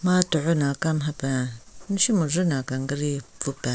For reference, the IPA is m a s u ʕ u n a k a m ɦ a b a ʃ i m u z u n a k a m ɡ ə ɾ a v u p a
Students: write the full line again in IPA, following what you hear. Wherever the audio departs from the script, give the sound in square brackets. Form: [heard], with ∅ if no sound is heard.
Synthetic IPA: m a [t] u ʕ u n a k a m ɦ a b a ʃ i m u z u n a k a [ŋ] ɡ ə ɾ [i] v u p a

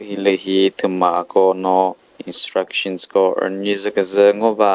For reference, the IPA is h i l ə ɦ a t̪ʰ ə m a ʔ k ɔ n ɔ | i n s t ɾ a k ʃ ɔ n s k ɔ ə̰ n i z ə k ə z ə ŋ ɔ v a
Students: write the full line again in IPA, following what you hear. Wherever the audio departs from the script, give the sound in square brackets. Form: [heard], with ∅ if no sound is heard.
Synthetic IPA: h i l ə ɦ [i] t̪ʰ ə m a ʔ k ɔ n ɔ | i n s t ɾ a k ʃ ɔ n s k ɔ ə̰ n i z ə k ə z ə ŋ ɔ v a

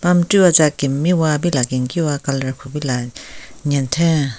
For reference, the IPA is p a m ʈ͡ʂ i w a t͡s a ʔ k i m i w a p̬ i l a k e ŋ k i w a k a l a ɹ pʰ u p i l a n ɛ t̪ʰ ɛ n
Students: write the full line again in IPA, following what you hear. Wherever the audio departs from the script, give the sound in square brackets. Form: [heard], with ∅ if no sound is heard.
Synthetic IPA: p a m ʈ͡ʂ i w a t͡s a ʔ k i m i w a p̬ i l a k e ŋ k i w a k a l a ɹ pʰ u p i l a [ɲ] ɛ t̪ʰ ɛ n

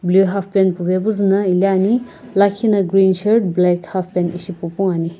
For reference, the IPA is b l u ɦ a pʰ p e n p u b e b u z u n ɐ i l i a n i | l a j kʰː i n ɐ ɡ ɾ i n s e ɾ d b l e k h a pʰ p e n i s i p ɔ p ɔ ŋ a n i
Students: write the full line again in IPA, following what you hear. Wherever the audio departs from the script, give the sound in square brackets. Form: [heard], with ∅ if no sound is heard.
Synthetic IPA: b l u ɦ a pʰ p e n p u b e b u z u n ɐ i l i a n i | l a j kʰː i n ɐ ɡ ɾ i n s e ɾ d b l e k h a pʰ p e n i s i p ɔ p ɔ ŋ a n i

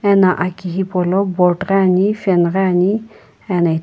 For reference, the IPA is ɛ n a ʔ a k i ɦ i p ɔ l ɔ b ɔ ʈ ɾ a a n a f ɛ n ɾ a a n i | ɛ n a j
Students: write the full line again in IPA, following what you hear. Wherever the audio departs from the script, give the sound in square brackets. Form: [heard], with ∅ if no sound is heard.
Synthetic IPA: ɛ n a ʔ a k i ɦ i p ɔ l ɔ b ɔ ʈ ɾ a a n [i] f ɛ n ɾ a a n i | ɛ n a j

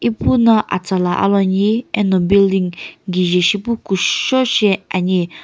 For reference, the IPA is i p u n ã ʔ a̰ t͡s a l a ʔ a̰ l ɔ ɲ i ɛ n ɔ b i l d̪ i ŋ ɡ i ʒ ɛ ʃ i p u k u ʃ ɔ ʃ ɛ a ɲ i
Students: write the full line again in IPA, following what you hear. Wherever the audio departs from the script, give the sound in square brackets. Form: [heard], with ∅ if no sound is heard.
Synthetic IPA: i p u n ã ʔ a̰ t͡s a l a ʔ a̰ l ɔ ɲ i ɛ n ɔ b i l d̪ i ŋ ɡ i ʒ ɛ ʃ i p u k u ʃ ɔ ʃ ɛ a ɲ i

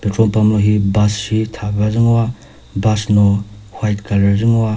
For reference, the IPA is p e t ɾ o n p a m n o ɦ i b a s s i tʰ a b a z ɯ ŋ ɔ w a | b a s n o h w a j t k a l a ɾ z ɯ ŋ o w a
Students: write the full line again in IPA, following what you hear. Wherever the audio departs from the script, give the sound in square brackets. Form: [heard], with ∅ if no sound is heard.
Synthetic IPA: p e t ɾ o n p a m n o ɦ i b a s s i tʰ a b a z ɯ ŋ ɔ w a | b a s n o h w a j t k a l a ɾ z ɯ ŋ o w a

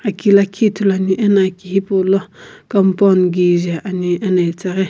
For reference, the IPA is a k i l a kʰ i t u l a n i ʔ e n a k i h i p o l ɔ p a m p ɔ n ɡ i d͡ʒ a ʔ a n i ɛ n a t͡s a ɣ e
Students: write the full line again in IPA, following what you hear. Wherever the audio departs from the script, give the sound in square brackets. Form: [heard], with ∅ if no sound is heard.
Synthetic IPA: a k i l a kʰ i t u l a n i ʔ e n a k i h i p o l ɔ [k] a m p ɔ n ɡ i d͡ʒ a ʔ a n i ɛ n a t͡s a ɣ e

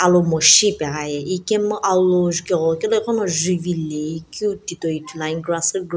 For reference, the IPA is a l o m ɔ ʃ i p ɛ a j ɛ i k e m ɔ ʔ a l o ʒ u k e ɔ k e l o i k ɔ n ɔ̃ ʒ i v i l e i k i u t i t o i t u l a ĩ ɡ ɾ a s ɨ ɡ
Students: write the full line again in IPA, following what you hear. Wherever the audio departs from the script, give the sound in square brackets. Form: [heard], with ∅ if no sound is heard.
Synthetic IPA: a l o m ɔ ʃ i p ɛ a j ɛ i k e m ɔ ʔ a l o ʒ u k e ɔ k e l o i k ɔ n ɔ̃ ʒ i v i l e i k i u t i t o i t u l a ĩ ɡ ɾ a s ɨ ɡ

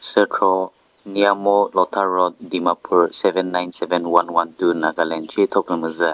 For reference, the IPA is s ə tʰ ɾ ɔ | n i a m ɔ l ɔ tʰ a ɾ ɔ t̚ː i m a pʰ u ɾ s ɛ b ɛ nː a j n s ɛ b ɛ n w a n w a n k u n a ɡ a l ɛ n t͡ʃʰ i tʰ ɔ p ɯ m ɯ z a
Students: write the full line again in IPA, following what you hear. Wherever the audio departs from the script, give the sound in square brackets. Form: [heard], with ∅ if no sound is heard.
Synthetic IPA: s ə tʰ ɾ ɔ | n i a m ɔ l ɔ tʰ a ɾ ɔ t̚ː i m a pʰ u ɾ s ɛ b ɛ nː a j n s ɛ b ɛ n w a n w a n [t] u n a ɡ a l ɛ n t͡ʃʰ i tʰ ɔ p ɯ m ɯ z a

